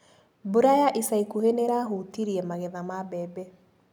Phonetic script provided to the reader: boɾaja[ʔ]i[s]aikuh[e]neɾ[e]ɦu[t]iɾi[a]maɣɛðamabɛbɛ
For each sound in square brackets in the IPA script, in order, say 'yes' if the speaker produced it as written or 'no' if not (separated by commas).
yes, yes, yes, no, yes, no